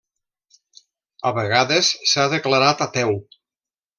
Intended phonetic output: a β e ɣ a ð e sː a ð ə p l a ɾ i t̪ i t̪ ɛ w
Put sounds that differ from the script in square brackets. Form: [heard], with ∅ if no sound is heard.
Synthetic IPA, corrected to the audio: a β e ɣ a ð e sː a ð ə [k] l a ɾ [a] t̪ [a] t̪ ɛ w